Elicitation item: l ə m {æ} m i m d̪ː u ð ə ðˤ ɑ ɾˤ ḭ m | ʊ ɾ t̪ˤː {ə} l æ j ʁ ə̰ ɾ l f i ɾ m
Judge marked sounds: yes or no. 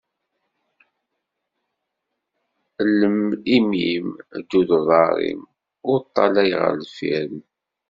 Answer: no, no

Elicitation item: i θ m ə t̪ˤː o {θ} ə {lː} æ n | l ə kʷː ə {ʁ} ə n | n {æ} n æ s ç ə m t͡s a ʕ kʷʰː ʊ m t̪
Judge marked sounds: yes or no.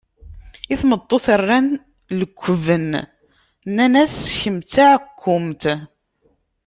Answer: yes, no, no, yes

